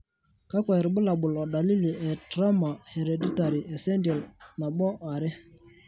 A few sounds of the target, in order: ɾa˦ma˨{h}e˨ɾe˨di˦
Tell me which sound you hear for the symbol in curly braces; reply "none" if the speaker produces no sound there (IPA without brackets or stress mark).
h